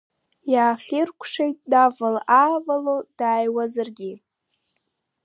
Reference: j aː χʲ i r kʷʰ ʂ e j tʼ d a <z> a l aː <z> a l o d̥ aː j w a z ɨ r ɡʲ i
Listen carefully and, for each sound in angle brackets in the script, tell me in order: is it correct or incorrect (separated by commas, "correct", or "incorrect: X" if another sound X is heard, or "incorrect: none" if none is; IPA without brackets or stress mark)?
incorrect: v, incorrect: v